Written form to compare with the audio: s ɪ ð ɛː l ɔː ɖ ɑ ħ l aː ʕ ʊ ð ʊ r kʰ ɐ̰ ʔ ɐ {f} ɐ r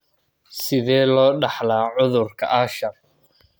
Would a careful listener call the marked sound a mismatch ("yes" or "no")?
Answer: yes